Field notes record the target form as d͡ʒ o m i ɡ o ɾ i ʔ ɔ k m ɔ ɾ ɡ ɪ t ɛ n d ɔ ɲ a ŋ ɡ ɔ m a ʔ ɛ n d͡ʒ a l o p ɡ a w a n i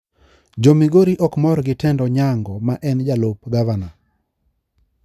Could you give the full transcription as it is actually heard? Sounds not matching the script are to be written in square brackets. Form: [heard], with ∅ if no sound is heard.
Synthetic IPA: d͡ʒ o m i ɡ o ɾ i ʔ ɔ k m ɔ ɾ ɡ ɪ t ɛ n d ɔ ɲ a ŋ ɡ ɔ m a ʔ ɛ n d͡ʒ a l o p ɡ a [v] a n [a]